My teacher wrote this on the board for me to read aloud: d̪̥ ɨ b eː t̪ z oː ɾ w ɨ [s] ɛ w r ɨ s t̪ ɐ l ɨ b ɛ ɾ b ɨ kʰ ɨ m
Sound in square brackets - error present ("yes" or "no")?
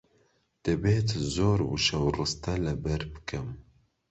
yes